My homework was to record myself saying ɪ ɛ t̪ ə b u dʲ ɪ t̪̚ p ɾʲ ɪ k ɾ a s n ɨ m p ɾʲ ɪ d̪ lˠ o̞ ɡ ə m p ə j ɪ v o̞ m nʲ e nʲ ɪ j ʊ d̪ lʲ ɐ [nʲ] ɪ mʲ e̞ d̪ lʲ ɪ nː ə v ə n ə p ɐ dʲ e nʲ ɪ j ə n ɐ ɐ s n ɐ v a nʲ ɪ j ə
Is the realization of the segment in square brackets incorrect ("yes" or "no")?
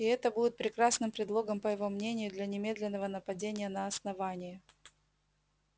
no